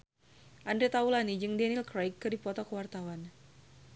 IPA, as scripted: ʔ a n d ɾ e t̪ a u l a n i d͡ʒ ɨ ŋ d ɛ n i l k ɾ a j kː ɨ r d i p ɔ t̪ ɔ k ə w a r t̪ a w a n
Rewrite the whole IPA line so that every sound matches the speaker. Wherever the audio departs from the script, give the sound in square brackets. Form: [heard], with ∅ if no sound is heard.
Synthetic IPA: ʔ a n d ɾ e t̪ a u l a n i d͡ʒ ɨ ŋ d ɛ n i l k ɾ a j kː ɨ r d i p ɔ t̪ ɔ k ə w a r t̪ a w a n

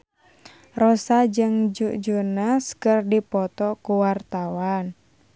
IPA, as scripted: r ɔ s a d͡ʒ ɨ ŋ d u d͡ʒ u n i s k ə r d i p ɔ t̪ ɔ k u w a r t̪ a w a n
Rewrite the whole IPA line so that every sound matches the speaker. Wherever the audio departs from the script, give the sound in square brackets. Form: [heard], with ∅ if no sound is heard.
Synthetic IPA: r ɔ s a d͡ʒ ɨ ŋ [d͡ʒ] u d͡ʒ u n [a] s k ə r d i p ɔ t̪ ɔ k u w a r t̪ a w a n

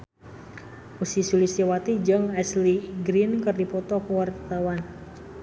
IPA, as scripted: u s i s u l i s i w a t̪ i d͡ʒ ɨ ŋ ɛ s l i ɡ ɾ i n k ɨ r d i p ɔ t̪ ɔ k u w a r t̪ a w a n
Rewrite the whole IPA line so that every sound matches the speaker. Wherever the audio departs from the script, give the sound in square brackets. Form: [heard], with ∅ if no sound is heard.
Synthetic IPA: u s i s u l i s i w a t̪ i d͡ʒ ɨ ŋ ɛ s l i ɡ ɾ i n k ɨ r d i p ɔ t̪ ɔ k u w a r t̪ a w a n

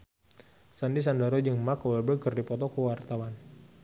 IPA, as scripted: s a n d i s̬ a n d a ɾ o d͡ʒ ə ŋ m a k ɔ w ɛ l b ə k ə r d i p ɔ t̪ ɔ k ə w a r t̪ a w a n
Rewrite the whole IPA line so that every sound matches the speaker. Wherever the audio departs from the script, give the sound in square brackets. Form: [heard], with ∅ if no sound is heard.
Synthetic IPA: s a n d i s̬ a n d a ɾ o d͡ʒ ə ŋ m a k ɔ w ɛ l b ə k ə r d i p ɔ t̪ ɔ k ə w a r t̪ a w a n

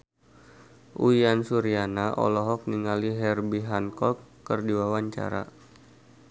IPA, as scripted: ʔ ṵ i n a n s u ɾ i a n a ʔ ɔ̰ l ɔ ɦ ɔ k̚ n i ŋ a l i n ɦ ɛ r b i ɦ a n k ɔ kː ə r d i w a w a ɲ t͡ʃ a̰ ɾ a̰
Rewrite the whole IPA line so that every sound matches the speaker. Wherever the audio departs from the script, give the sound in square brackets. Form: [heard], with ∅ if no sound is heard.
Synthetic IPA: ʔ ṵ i [∅] a n s u ɾ i a n a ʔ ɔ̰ l ɔ ɦ ɔ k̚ n i ŋ a l i [∅] ɦ ɛ r b i ɦ a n k ɔ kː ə r d i w a w a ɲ t͡ʃ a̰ ɾ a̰

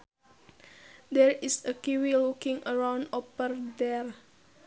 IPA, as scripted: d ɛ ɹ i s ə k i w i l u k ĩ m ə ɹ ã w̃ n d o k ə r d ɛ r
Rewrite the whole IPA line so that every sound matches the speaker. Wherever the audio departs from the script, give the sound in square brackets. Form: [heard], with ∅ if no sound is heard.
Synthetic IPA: d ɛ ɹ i s ə k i w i l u k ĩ [ŋ] ə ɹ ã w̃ n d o [p] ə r d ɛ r

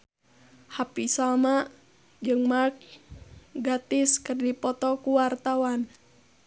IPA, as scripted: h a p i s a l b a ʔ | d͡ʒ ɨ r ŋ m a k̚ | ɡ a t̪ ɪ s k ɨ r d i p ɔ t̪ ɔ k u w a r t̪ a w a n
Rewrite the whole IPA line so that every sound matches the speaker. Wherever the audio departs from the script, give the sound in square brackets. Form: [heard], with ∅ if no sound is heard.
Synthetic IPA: h a p i s a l [m] a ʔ | d͡ʒ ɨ [∅] ŋ m a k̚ | ɡ a t̪ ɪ s k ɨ r d i p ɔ t̪ ɔ k u w a r t̪ a w a n

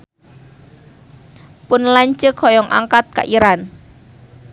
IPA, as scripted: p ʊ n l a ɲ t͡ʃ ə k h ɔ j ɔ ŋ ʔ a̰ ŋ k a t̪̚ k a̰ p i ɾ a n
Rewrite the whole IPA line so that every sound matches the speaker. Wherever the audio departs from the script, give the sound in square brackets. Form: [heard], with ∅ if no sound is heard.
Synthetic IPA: p ʊ n l a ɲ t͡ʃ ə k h ɔ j ɔ ŋ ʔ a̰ ŋ k a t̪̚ k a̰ [ʔ] i ɾ a n

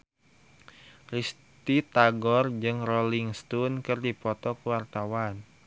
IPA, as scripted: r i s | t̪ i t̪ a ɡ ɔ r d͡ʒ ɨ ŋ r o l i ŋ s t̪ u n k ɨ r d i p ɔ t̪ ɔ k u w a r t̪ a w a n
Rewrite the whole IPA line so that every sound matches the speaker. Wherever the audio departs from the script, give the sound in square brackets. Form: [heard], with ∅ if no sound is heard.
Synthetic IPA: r i s | t̪ i t̪ a ɡ ɔ r d͡ʒ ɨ ŋ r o l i ŋ s t̪ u n k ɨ r d i p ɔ t̪ ɔ k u w a r t̪ a w a n

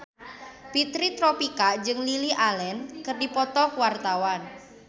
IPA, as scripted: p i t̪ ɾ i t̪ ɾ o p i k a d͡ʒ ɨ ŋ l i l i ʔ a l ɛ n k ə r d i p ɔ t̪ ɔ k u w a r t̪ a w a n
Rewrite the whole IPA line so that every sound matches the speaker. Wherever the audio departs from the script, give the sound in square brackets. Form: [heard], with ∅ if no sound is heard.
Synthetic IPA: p i t̪ ɾ i t̪ ɾ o p i k a d͡ʒ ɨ ŋ l i l i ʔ a l ɛ n k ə r d i p ɔ t̪ ɔ k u w a r t̪ a w a n

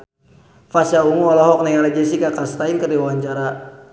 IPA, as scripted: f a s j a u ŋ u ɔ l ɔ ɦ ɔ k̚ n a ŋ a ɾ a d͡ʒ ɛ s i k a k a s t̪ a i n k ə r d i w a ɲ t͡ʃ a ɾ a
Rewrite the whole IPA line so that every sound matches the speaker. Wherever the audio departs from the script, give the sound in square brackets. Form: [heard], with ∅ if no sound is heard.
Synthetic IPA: f a s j a u ŋ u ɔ l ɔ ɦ ɔ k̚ n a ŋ a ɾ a d͡ʒ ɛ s i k a k a s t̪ a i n k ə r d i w a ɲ t͡ʃ a ɾ a

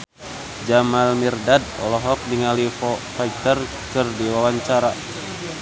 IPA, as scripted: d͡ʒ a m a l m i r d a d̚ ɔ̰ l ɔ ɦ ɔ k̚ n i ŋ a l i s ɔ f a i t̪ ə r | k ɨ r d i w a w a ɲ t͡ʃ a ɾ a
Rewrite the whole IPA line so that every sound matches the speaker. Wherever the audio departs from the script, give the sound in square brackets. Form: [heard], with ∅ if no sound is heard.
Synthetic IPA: d͡ʒ a m a l m i r d a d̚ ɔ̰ l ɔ ɦ ɔ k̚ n i ŋ a l i [f] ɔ f a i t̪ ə r | k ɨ r d i w a w a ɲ t͡ʃ a ɾ a

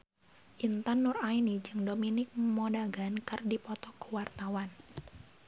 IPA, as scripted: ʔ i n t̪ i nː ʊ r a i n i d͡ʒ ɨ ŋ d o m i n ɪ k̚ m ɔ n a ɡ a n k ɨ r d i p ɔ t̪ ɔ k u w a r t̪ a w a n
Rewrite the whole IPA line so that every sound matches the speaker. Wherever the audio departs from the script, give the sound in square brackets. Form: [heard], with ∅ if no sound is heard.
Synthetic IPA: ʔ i n t̪ [a] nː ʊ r a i n i d͡ʒ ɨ ŋ d o m i n ɪ k̚ m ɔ [d] a ɡ a n k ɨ r d i p ɔ t̪ ɔ k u w a r t̪ a w a n

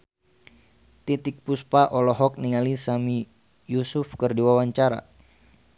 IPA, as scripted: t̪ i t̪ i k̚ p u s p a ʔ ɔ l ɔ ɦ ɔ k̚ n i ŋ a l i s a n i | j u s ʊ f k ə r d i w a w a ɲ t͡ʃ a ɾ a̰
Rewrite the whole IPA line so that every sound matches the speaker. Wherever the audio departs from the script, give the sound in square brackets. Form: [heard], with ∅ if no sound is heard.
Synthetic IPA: t̪ i t̪ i k̚ p u s p a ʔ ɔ l ɔ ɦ ɔ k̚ n i ŋ a l i s a [m] i | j u s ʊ f k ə r d i w a w a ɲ t͡ʃ a ɾ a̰

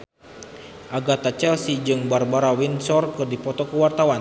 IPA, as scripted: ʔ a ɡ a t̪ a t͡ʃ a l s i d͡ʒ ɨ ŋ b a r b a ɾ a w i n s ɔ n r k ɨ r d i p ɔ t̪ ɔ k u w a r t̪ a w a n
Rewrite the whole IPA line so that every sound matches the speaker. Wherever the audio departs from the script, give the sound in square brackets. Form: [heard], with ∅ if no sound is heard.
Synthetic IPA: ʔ a ɡ a t̪ a t͡ʃ [ɛ] l s i d͡ʒ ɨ ŋ b a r b a ɾ a w i n s ɔ [∅] r k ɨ r d i p ɔ t̪ ɔ k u w a r t̪ a w a n

